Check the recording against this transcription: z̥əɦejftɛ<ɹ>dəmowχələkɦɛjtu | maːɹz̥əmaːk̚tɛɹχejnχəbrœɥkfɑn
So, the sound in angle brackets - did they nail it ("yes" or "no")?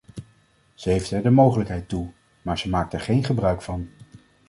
yes